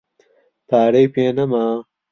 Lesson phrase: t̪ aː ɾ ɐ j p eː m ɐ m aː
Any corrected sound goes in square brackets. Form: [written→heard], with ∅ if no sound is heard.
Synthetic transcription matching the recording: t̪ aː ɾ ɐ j p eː [m→n] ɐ m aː